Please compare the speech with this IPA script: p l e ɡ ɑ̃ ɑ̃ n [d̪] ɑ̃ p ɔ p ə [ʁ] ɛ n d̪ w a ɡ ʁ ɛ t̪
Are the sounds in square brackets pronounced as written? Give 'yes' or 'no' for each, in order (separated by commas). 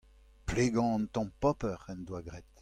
no, yes